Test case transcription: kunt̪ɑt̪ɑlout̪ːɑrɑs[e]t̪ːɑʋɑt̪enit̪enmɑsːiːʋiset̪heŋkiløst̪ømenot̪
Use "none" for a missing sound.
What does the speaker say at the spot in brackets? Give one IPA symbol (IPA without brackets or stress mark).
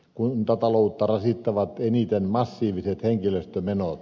i